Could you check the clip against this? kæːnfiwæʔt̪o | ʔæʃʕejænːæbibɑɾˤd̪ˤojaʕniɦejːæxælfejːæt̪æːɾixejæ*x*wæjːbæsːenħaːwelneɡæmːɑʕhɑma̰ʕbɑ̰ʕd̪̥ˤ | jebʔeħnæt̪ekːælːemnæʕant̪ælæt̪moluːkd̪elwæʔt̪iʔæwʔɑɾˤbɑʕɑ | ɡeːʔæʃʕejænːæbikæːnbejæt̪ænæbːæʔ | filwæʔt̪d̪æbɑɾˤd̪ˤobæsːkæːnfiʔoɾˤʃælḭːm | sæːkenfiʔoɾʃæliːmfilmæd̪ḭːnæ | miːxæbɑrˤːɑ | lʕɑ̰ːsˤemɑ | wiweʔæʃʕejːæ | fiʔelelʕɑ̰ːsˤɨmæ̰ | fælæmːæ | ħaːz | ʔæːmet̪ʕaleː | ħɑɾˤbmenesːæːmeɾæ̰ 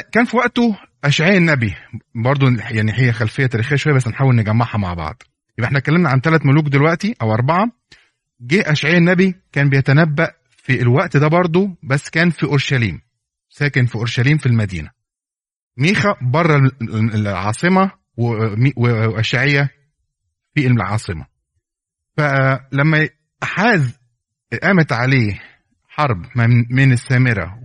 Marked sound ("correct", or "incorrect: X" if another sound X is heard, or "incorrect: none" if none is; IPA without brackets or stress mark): incorrect: ʃ